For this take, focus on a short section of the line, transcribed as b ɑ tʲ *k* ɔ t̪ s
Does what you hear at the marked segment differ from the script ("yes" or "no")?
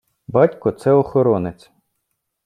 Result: no